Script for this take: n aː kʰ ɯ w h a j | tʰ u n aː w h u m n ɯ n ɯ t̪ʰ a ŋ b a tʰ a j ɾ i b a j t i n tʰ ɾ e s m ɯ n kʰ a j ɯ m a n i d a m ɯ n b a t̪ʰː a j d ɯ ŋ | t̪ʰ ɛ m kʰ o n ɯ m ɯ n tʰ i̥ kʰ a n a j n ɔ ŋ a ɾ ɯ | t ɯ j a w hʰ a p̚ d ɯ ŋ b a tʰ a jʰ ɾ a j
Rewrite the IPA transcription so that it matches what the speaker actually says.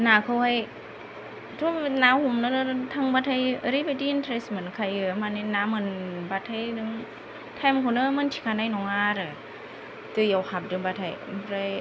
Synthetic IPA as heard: n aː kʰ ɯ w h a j | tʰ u n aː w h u m n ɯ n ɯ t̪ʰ a ŋ b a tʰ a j ɾ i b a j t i n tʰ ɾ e s m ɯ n kʰ a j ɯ m a n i n a m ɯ n b a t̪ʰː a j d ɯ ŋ | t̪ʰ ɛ m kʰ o n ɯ m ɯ n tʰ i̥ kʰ a n a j n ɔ ŋ a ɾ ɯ | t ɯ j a w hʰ a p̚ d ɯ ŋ b a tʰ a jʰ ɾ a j